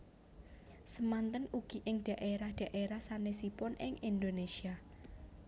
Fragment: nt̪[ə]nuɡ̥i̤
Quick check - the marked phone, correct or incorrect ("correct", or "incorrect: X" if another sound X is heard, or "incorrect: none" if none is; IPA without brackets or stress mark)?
correct